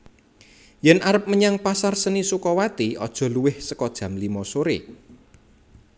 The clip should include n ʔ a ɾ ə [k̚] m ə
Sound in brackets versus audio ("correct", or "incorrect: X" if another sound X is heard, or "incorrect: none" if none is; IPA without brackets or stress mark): incorrect: p̚